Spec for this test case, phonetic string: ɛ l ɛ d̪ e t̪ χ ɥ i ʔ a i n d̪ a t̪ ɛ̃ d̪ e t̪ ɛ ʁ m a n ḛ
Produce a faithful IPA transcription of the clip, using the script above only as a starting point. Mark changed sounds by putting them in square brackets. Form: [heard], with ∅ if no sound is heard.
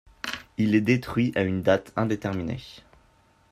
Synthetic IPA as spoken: [i] l ɛ d̪ e t̪ χ ɥ i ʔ a [y] n d̪ a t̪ ɛ̃ d̪ e t̪ ɛ ʁ m [i] n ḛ